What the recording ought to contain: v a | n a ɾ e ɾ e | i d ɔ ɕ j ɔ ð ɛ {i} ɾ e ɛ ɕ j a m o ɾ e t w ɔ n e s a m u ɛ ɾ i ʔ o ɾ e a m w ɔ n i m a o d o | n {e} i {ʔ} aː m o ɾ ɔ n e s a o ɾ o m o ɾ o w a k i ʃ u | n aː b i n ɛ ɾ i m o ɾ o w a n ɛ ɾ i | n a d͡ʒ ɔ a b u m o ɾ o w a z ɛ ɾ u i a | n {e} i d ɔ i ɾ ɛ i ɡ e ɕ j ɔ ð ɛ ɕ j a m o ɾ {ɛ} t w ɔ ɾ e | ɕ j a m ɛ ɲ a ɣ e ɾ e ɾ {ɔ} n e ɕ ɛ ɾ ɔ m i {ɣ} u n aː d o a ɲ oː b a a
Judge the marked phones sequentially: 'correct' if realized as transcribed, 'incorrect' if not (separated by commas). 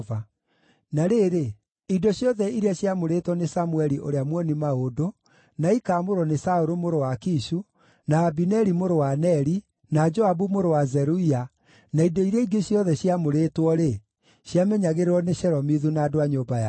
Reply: correct, incorrect, incorrect, incorrect, incorrect, correct, incorrect